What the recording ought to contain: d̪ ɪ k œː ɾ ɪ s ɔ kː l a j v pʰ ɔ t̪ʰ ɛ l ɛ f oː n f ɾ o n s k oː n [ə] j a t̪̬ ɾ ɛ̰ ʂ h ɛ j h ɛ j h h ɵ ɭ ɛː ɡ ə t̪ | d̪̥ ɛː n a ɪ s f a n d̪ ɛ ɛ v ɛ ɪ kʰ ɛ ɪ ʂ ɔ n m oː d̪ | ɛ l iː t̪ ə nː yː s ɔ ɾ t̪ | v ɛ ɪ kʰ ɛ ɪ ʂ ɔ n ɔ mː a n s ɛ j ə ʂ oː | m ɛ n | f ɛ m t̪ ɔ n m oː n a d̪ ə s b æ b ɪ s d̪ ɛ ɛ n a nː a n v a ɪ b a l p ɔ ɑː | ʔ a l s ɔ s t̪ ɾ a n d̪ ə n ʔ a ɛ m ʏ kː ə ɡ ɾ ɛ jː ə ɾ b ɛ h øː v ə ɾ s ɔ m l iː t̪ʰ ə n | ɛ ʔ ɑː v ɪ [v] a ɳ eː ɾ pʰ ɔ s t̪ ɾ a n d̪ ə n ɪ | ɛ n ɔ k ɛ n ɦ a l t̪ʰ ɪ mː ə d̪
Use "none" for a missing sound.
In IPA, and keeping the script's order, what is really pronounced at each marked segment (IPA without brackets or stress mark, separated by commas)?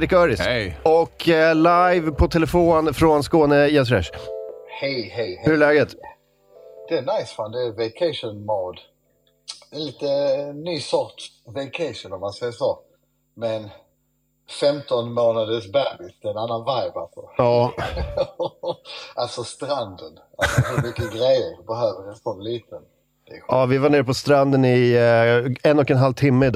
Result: ə, v